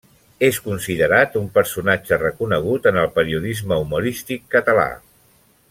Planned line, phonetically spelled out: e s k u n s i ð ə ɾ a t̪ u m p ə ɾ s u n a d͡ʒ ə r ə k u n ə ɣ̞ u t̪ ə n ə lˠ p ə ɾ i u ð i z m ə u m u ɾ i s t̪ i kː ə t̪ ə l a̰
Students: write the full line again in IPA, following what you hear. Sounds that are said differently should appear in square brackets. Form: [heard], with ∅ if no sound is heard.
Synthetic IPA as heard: e s k u n s i ð ə ɾ a t̪ u m p ə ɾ s u n a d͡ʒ ə r ə k u n ə ɣ̞ u t̪ ə n ə lˠ p ə ɾ i u ð i z m ə u m u ɾ i s t̪ i kː ə t̪ ə l a̰